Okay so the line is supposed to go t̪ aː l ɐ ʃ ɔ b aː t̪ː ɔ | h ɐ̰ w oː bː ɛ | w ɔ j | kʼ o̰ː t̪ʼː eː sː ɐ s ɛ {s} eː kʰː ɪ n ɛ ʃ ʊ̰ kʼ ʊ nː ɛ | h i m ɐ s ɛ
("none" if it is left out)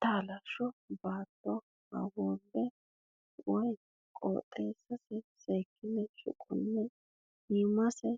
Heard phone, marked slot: s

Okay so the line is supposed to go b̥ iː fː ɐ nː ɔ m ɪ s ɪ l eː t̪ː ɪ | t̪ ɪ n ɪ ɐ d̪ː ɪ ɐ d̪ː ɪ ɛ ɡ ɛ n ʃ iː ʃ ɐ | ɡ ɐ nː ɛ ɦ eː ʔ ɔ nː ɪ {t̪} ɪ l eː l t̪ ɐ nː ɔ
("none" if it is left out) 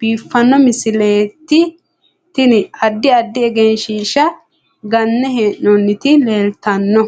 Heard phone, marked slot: t̪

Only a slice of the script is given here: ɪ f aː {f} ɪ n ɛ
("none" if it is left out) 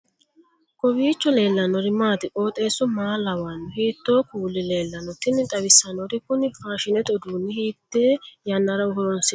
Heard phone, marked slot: ʃ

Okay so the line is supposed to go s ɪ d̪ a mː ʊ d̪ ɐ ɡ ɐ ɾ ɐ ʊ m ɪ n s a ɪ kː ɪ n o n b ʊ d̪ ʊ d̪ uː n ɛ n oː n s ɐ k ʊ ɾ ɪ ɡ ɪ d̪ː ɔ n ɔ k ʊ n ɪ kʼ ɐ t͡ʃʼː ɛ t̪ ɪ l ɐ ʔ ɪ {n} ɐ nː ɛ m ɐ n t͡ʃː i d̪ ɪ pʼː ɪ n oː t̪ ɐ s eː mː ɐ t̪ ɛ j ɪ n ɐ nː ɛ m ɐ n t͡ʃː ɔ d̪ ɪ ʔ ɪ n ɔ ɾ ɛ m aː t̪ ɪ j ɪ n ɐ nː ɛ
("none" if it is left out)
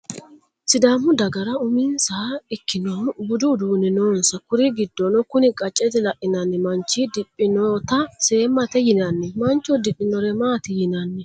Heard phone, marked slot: n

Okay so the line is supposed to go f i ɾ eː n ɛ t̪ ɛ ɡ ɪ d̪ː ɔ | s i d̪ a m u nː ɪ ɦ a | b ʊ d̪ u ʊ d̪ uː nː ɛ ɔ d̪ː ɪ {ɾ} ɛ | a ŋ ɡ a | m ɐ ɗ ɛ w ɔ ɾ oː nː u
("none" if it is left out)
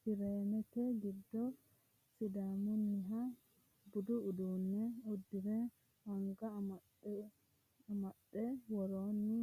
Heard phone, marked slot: ɾ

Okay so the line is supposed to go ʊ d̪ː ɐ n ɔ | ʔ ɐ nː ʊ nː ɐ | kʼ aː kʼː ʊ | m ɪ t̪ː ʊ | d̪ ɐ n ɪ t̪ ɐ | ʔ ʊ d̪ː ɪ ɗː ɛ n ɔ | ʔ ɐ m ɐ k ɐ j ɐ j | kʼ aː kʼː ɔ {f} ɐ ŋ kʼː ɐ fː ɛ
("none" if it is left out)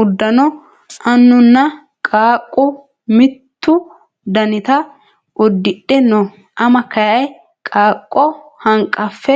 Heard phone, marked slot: h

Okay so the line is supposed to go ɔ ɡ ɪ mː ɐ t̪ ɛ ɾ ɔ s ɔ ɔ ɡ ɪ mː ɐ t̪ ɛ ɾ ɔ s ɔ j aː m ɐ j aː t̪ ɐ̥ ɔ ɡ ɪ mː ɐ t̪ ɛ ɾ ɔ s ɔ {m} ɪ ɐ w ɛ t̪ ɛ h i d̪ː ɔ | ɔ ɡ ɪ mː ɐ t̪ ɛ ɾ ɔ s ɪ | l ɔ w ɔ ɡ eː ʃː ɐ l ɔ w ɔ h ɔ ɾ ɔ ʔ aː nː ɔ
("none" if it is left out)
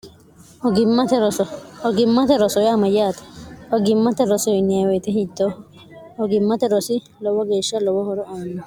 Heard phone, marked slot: n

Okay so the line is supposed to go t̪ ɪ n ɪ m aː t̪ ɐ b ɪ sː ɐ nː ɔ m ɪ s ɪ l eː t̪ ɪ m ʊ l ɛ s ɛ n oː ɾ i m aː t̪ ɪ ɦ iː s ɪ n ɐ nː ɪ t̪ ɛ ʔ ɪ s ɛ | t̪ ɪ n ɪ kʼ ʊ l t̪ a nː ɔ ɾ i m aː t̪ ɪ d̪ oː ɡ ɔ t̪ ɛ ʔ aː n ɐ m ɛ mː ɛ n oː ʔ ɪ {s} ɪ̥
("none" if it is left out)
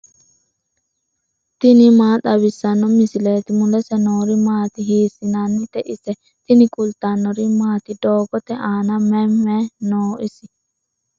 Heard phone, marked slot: s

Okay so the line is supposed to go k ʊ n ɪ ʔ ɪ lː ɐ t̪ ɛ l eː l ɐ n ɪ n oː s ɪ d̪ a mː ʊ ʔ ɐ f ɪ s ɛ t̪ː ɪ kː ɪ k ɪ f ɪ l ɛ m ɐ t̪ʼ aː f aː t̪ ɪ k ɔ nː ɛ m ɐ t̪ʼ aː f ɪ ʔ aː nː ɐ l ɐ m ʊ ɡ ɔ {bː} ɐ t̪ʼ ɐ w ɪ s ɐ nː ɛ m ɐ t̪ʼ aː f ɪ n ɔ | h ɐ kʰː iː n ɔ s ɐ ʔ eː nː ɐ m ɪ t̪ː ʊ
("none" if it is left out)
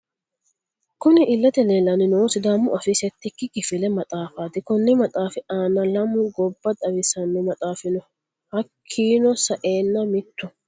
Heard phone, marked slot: bː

